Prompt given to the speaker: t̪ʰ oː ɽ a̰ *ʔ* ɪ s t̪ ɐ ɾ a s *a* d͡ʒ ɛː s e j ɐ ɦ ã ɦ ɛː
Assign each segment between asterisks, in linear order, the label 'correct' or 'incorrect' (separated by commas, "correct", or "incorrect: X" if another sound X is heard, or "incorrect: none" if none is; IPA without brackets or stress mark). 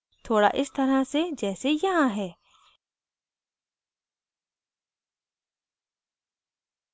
correct, incorrect: e